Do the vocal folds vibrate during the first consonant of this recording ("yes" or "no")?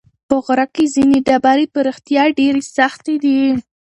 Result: no